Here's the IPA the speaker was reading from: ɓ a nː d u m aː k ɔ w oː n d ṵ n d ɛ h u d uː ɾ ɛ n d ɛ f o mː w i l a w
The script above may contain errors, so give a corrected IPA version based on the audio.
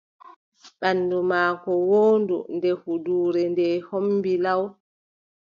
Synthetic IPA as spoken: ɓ a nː d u m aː k ɔ w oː n d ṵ n d ɛ h u d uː ɾ ɛ n d ɛ h o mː b i l a w